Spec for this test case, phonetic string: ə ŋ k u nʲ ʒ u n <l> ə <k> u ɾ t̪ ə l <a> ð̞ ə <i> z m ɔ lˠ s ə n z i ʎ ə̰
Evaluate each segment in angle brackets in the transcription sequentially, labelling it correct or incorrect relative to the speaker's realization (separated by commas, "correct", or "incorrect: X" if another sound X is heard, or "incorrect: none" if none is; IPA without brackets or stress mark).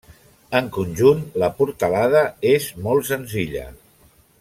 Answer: correct, incorrect: p, correct, incorrect: e